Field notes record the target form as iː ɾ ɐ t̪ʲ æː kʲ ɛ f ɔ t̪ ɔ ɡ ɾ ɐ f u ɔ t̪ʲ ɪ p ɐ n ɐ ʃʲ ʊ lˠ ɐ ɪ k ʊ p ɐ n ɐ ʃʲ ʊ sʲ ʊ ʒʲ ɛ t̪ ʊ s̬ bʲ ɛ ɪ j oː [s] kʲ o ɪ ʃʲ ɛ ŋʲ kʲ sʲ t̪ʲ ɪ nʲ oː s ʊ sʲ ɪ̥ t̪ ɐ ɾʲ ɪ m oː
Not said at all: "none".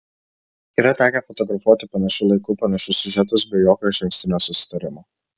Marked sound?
none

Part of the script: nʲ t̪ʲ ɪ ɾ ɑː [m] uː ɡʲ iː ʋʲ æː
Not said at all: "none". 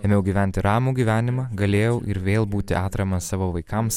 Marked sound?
m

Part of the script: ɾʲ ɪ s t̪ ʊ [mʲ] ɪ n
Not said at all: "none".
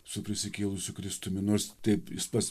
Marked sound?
mʲ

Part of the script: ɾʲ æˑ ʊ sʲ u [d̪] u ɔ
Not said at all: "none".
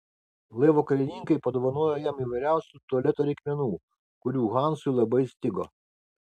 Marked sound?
t̪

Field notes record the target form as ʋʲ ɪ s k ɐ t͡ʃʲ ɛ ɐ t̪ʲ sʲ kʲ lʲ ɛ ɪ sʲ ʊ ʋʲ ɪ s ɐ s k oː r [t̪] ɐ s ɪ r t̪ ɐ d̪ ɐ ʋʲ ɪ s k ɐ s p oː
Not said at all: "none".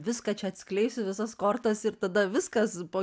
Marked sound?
t̪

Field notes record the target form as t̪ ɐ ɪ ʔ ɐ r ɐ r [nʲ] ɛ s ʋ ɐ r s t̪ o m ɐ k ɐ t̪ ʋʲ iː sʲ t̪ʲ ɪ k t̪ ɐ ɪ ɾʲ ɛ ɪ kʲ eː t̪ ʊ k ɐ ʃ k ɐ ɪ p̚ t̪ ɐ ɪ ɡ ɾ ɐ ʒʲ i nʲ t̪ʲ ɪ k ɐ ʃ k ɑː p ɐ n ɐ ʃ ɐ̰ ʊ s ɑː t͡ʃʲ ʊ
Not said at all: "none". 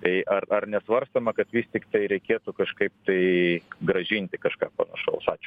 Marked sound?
nʲ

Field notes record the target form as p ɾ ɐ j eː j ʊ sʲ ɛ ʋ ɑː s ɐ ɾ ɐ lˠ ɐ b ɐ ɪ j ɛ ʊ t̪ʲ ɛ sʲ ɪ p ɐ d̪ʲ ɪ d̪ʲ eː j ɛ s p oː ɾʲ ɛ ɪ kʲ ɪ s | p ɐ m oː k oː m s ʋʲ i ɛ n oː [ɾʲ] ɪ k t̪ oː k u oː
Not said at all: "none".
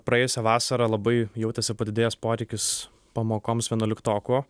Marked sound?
lʲ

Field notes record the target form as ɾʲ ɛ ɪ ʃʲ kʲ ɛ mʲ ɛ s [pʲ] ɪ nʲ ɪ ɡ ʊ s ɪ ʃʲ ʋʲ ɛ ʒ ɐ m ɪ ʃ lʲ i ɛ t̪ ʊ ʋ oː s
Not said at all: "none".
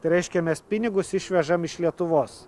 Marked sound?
pʲ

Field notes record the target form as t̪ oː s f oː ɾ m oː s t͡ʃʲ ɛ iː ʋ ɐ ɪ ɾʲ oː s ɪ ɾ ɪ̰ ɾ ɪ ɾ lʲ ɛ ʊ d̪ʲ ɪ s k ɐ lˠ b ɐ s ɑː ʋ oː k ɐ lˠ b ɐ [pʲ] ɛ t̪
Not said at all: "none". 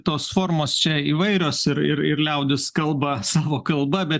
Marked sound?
bʲ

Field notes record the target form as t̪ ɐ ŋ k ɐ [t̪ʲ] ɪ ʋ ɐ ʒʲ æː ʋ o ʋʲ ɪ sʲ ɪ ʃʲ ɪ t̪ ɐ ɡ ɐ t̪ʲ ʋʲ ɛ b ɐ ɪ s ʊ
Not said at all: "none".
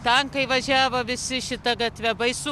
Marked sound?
none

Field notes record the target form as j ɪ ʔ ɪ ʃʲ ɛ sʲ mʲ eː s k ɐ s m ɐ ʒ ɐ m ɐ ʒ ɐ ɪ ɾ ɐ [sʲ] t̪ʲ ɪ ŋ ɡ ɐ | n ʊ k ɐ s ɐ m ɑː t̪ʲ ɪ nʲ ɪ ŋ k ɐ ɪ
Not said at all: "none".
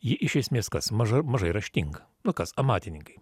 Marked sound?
ʃʲ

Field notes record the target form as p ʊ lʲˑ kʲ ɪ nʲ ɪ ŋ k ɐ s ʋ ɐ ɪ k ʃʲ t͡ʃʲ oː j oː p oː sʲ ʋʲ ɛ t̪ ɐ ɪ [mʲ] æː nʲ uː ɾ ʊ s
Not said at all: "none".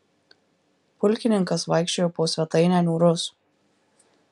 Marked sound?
nʲ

